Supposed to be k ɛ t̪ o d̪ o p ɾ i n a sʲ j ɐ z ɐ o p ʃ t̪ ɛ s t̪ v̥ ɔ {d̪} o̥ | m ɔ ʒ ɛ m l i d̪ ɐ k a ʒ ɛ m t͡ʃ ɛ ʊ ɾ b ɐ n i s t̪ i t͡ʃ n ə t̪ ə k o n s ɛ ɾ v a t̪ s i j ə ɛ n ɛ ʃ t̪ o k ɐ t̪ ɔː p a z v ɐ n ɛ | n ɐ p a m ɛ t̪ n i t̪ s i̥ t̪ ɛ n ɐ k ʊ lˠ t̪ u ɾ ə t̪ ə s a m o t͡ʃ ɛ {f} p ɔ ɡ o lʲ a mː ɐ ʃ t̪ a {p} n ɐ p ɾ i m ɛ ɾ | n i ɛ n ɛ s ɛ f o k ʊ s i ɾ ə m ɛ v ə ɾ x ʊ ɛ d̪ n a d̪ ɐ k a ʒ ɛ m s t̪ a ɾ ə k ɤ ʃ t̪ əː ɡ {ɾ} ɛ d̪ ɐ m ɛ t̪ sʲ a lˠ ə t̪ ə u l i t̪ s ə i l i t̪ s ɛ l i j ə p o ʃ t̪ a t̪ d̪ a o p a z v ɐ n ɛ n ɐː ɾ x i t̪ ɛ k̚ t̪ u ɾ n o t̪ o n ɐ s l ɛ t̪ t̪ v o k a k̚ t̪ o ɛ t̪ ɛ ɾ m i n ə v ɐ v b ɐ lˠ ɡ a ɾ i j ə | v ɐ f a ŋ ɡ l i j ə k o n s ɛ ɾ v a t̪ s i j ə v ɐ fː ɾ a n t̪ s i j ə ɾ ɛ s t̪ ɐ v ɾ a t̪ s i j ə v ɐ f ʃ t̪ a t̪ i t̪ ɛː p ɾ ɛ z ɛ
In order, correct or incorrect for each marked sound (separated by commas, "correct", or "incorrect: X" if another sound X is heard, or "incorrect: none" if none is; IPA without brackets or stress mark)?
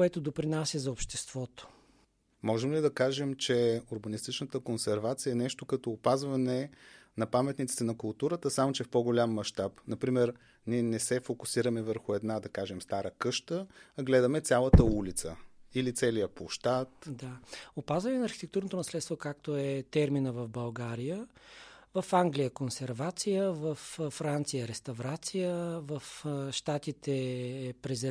incorrect: t̪, correct, correct, incorrect: l